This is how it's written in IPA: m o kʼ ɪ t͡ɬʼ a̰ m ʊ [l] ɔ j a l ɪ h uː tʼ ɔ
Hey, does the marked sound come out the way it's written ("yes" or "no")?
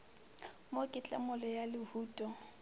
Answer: yes